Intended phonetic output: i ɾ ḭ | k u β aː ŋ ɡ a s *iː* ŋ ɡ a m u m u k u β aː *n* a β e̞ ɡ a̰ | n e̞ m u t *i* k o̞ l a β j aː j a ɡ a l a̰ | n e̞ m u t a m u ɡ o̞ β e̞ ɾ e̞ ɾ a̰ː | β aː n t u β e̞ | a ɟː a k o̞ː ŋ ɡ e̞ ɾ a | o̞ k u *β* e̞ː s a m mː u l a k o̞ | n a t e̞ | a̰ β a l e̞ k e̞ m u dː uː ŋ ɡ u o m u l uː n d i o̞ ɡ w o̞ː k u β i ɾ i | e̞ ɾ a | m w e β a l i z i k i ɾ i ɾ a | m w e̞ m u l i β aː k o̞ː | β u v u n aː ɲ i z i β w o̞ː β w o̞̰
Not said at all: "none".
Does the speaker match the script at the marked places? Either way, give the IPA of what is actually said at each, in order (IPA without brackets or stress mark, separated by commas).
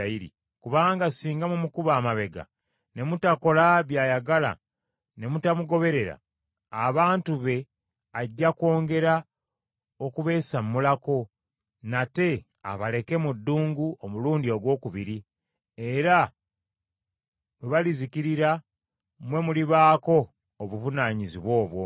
iː, m, a, β